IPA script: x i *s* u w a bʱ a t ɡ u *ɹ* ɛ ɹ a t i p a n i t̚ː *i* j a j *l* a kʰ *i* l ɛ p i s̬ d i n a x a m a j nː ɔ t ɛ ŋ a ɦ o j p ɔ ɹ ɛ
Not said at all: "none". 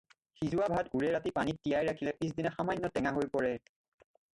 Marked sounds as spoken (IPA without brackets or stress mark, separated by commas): z, ɹ, i, ɹ, i